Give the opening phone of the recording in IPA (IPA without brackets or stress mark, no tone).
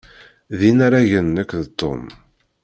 ð